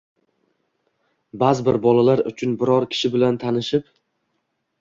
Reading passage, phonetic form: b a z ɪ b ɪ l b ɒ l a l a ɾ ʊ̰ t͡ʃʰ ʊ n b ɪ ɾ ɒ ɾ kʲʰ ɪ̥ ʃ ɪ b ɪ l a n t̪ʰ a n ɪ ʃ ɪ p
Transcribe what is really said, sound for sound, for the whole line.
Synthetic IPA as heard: b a z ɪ b ɪ ɾ b ɒ l a l a ɾ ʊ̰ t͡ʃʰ ʊ n b ɪ ɾ ɒ ɾ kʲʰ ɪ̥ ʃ ɪ b ɪ l a n t̪ʰ a n ɪ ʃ ɪ p